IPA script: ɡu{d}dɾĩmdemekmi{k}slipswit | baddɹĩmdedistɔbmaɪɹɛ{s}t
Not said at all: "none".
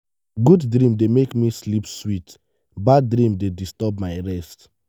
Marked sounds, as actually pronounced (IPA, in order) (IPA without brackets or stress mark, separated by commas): d, none, s